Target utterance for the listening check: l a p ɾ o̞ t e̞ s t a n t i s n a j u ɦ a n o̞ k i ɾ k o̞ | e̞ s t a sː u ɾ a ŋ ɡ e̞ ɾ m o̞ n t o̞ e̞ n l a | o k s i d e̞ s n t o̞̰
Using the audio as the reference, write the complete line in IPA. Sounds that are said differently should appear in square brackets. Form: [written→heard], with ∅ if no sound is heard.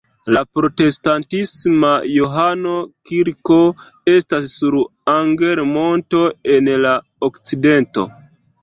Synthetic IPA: l a p ɾ o̞ t e̞ s t a n t i s [n→m] a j [u→o] ɦ a n o̞ k i ɾ k o̞ | e̞ s t a sː u ɾ a ŋ ɡ e̞ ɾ m o̞ n t o̞ e̞ n l a | o k [s→t͡s] i d e̞ [s→∅] n t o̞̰